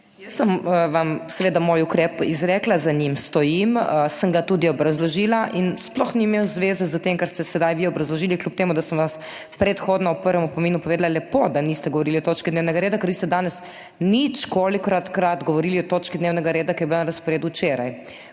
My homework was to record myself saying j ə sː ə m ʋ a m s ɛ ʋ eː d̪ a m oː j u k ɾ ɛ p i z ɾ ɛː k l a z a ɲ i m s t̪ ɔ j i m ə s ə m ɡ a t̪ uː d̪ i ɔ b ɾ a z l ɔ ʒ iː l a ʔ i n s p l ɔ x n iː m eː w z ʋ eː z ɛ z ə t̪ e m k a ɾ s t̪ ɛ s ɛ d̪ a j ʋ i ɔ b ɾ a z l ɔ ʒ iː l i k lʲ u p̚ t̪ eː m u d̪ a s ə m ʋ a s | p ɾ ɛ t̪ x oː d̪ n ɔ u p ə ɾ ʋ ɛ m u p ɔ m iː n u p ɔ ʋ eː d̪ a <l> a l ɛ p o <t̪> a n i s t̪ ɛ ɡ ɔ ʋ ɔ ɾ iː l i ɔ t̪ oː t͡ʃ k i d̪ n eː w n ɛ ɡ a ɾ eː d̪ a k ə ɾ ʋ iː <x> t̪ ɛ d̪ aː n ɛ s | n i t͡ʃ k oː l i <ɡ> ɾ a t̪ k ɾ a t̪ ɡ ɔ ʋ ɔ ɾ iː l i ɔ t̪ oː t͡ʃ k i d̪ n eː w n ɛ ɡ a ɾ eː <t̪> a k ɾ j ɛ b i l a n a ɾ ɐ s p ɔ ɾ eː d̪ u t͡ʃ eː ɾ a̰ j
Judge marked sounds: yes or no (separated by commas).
yes, no, no, no, no